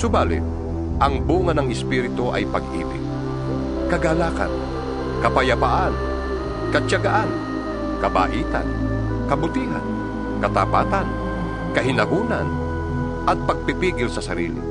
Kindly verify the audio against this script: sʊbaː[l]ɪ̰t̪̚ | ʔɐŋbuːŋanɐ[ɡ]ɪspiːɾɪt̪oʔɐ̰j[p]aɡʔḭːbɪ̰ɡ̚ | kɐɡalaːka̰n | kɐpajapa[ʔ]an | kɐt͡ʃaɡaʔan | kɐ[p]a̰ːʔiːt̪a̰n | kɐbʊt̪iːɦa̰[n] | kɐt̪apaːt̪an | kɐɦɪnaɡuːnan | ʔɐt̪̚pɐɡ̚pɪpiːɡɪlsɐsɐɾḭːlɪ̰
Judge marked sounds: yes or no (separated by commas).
yes, no, yes, yes, no, yes